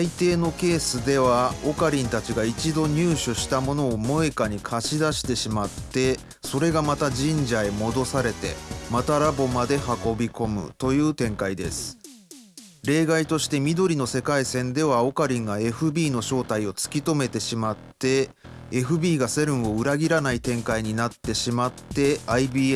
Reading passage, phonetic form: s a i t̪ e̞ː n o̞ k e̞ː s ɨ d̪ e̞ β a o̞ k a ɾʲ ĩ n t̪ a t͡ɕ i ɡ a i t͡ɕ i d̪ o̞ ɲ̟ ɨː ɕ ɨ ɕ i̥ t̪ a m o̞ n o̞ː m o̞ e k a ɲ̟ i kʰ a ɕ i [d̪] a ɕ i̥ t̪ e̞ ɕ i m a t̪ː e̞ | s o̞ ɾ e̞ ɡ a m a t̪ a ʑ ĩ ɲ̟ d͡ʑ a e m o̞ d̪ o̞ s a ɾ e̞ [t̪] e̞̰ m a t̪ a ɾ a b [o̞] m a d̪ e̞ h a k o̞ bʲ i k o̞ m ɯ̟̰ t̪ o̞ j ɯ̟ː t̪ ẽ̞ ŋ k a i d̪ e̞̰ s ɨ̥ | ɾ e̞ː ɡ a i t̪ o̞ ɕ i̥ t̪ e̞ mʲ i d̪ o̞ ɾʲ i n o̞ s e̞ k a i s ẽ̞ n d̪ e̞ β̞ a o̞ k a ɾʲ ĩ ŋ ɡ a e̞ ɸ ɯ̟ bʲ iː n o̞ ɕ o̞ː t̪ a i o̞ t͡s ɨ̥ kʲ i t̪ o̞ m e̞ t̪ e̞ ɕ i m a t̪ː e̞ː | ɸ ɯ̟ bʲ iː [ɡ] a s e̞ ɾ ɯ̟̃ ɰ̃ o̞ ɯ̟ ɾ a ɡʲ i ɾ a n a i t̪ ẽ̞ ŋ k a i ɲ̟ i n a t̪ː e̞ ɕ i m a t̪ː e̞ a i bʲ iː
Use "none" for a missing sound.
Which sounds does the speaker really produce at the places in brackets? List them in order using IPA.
d̪, t̪, o̞, ɡ

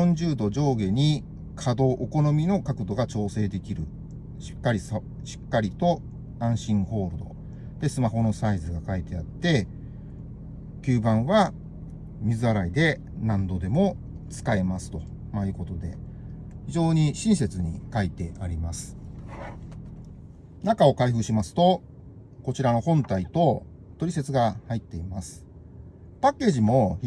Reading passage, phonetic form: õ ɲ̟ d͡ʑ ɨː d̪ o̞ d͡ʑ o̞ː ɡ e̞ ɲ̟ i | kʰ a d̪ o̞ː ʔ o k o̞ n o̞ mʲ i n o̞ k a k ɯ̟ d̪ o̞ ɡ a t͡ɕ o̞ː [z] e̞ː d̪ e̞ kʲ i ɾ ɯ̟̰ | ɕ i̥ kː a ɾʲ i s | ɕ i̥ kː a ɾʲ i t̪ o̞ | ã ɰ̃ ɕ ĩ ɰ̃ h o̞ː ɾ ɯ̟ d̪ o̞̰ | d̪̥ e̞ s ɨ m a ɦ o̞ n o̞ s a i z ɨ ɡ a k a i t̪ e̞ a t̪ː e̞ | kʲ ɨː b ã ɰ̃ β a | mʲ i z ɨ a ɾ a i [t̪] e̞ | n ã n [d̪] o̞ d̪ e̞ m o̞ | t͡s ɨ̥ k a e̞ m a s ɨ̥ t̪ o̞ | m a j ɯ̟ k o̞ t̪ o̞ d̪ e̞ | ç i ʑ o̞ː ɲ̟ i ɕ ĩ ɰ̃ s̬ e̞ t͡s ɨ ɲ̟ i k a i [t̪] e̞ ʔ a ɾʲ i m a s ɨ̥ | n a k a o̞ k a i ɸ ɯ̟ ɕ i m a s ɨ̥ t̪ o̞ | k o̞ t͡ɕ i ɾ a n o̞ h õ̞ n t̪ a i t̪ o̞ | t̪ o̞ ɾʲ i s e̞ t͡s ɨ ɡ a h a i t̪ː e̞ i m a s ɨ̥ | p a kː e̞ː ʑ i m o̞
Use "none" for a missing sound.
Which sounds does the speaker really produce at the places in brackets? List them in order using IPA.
s, d̪, d̪, t̪

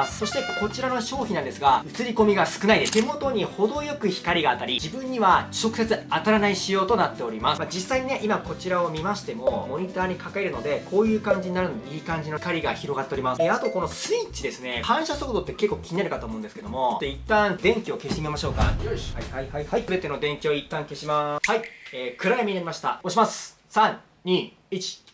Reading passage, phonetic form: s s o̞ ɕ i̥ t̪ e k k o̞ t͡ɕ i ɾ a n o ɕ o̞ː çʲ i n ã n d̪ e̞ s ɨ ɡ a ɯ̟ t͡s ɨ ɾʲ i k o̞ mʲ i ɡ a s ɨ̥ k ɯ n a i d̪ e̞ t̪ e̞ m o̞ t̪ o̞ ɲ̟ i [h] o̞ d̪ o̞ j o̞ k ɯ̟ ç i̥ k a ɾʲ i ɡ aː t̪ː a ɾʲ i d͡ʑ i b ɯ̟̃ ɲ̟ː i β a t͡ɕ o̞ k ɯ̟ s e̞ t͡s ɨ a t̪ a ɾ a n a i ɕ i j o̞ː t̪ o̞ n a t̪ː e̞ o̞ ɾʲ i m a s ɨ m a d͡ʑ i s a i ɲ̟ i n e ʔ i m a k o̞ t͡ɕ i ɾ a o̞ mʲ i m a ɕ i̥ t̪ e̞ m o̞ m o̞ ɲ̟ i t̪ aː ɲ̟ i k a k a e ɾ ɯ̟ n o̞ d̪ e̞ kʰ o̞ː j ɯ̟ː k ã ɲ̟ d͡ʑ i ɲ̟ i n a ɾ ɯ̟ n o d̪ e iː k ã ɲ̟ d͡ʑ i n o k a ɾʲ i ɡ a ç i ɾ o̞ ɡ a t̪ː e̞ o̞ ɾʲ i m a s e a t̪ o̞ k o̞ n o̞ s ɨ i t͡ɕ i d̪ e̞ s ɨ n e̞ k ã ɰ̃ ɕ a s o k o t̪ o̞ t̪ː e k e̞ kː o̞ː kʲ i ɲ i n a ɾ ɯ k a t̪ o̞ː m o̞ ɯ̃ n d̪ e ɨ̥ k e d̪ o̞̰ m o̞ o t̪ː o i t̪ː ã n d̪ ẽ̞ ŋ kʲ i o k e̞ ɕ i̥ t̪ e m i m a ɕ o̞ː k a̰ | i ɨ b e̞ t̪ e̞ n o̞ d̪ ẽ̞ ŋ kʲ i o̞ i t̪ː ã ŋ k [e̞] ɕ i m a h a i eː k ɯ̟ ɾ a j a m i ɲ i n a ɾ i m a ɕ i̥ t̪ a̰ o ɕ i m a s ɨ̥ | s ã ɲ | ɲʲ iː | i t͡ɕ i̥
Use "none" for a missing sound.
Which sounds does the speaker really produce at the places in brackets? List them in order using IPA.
h, e̞

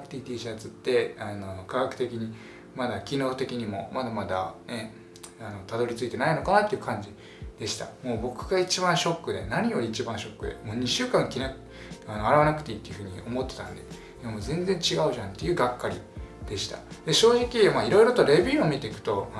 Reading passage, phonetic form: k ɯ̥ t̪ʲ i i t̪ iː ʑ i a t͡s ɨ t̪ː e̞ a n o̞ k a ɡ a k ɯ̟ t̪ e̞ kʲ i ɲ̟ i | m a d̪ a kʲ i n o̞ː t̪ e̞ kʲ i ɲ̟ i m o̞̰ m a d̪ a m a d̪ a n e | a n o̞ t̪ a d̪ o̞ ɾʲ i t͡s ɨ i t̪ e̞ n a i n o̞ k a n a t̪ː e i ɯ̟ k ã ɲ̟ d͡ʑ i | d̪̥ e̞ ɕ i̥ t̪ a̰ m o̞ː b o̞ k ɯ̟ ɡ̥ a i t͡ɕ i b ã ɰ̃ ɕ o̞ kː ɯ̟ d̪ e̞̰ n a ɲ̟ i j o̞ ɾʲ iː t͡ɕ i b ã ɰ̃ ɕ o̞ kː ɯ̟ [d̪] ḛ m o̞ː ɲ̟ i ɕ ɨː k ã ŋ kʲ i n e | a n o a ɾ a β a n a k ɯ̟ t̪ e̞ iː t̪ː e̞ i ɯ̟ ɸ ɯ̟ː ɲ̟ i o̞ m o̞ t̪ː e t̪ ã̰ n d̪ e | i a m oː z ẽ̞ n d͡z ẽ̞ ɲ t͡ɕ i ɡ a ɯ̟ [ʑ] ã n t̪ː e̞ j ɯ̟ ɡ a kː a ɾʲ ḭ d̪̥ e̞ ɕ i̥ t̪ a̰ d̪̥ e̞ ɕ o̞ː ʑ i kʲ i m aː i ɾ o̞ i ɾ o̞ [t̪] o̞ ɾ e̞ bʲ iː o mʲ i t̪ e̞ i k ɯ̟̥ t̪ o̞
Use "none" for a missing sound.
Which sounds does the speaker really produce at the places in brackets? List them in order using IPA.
d̪, ʑ, t̪

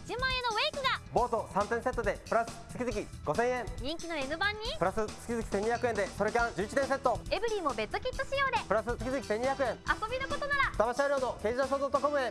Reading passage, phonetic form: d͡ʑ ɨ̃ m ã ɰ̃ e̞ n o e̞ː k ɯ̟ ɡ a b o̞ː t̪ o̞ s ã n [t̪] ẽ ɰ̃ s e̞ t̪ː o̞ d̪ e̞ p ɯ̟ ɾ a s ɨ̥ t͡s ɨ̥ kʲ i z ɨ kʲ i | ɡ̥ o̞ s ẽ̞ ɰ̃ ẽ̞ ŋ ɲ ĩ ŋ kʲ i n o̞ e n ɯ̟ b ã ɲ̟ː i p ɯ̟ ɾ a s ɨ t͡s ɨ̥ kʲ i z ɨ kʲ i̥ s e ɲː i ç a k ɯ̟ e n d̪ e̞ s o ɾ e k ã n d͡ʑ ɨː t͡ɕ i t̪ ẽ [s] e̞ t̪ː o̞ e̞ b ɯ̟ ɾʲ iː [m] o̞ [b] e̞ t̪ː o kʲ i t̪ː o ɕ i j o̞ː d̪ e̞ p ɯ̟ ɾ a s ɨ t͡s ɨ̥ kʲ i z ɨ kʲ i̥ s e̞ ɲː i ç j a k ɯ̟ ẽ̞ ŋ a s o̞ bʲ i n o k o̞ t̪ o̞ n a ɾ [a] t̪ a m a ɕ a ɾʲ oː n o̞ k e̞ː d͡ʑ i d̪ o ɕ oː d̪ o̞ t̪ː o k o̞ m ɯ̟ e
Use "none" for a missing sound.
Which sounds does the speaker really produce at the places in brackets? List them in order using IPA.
t̪, s, m, b, a

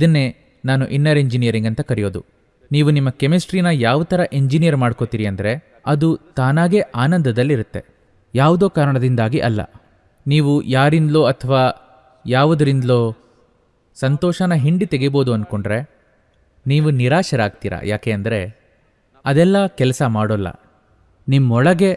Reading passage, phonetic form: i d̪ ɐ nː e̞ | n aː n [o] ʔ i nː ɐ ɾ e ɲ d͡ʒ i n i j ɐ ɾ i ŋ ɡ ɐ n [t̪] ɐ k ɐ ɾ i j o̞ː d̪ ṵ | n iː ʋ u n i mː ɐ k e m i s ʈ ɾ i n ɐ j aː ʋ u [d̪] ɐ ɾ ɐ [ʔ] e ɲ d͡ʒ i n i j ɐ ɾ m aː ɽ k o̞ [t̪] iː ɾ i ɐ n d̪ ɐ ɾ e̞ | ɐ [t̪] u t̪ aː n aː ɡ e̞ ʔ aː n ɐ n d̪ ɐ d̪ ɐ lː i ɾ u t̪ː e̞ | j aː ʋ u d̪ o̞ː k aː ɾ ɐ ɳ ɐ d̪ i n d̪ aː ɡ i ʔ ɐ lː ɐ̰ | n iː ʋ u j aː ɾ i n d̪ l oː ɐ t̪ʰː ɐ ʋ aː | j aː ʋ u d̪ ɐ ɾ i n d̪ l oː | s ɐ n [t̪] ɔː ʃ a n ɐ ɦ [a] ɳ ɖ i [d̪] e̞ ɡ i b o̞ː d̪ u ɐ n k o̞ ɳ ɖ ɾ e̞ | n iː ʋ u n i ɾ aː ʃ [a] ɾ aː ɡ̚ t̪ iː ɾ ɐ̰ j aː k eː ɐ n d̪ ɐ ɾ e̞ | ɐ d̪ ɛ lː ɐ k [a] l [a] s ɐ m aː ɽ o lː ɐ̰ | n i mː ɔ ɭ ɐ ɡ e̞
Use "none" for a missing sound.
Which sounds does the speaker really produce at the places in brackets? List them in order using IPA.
u, t̪, t̪, ʔ, t̪, d̪, t̪, i, t̪, ɐ, ɛ, ɐ

